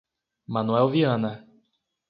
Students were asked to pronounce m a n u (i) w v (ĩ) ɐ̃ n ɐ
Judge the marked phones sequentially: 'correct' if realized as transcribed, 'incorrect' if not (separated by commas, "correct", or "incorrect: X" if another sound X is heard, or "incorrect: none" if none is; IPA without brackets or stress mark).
incorrect: ɛ, incorrect: i